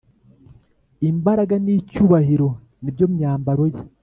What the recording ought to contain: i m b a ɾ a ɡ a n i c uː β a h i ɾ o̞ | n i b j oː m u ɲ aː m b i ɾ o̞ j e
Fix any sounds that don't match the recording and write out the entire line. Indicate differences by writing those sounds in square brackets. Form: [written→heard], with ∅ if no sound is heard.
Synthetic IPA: i m b a ɾ a ɡ a n i c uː β a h i ɾ o̞ | n i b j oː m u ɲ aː m b [i→a] ɾ o̞ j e